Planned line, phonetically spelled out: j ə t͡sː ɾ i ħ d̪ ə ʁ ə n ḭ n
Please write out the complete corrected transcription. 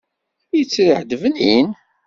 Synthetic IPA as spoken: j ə t͡sː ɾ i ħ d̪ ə v ə n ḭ n